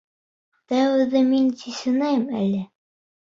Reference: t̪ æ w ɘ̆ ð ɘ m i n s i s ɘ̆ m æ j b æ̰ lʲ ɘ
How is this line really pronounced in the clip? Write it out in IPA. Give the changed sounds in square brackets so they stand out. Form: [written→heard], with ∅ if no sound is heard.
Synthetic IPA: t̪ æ w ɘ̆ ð ɘ m i n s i s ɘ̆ [m→n] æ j [b→m] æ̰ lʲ ɘ

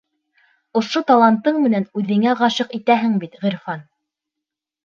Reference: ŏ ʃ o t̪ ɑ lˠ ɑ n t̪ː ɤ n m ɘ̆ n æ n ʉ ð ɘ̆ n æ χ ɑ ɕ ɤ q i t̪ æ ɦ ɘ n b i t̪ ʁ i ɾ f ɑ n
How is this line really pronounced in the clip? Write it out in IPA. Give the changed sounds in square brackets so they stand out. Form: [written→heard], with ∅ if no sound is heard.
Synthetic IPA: ŏ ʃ o t̪ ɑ lˠ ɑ n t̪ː ɤ [n→ɴ] m ɘ̆ n æ n ʉ ð ɘ̆ [n→ŋ] æ [χ→ʁ] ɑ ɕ ɤ q i t̪ æ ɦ ɘ [n→ŋ] b i t̪ ʁ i ɾ f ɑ n

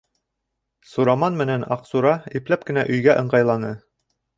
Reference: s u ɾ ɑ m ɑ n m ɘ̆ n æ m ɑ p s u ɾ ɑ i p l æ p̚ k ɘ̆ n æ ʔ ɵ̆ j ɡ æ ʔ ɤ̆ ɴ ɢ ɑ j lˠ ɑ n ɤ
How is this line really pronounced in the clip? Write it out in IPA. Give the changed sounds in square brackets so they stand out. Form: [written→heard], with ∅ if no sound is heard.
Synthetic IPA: s u ɾ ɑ m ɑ n m ɘ̆ n æ [m→n] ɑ [p→q] s u ɾ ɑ i p l æ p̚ k ɘ̆ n æ ʔ ɵ̆ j ɡ æ ʔ ɤ̆ ɴ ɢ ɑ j lˠ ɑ n ɤ

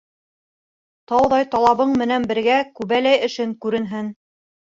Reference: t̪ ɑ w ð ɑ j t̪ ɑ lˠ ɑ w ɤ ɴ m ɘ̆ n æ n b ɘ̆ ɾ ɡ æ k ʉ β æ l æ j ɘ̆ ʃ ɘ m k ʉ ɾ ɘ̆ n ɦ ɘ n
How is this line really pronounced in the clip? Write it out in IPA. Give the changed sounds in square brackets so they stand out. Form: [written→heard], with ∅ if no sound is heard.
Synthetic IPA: t̪ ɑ w ð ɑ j t̪ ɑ lˠ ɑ [w→β] ɤ ɴ m ɘ̆ n æ n b ɘ̆ ɾ ɡ æ k ʉ β æ l æ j ɘ̆ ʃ ɘ [m→ŋ] k ʉ ɾ ɘ̆ n ɦ ɘ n

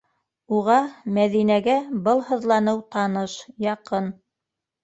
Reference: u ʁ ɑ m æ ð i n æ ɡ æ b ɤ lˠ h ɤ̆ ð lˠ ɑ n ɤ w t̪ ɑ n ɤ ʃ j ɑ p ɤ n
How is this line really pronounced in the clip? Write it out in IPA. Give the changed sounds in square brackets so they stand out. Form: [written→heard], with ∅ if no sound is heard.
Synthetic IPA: u ʁ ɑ m æ ð i n æ ɡ æ b ɤ lˠ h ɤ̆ ð lˠ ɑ n ɤ w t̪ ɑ n ɤ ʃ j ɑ [p→q] ɤ n

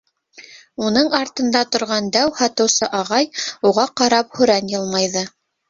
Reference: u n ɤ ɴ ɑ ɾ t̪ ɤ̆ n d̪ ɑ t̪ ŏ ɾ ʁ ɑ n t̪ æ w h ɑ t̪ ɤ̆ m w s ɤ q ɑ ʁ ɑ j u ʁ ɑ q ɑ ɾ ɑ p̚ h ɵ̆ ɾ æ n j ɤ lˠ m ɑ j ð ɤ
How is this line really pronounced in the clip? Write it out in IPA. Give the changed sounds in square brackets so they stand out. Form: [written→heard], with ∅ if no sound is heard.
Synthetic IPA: u n ɤ ɴ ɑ ɾ t̪ ɤ̆ n d̪ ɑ t̪ ŏ ɾ ʁ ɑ n [t̪→d̪] æ w h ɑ t̪ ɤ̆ [m→∅] w s ɤ [q→ʔ] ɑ ʁ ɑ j u ʁ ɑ q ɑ ɾ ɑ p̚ h ɵ̆ ɾ æ n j ɤ lˠ m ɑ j ð ɤ

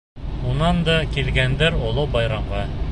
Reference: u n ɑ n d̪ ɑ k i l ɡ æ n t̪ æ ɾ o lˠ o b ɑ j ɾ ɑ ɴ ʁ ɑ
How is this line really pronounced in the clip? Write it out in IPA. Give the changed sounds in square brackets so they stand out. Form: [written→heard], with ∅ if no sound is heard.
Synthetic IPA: u n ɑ n d̪ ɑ k i l ɡ æ n [t̪→d̪] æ ɾ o lˠ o b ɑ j ɾ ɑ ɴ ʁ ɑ

